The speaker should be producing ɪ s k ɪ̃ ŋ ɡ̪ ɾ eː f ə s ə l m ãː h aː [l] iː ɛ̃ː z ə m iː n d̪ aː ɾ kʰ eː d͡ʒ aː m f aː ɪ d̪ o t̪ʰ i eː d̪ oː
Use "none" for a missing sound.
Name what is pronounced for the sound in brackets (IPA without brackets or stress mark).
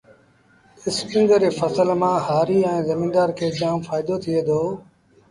ɾ